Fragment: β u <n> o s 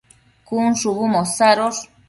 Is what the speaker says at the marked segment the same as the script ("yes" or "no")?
no